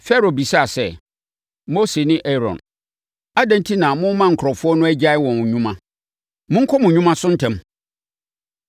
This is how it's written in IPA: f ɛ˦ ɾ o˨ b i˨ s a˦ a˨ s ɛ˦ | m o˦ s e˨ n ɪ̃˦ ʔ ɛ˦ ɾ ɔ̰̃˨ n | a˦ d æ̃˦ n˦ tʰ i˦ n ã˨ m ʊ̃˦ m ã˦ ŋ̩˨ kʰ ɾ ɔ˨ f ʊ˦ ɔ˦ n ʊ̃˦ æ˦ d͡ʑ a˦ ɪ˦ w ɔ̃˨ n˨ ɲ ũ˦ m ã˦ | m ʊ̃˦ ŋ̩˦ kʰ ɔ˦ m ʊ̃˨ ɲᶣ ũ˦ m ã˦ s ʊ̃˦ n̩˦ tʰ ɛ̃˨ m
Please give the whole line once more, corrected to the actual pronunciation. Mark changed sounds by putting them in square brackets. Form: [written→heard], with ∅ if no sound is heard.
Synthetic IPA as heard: f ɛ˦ ɾ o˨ b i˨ s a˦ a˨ s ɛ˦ | m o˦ s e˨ n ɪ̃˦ ʔ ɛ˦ ɾ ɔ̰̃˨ n | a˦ d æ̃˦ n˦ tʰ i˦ n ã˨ m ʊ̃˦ m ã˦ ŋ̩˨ kʰ ɾ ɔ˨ f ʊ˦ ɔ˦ n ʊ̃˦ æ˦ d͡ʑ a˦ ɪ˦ w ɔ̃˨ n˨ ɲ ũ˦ m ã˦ | m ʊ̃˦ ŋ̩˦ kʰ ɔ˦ m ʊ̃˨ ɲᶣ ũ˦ m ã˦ s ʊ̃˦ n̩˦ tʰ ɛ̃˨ m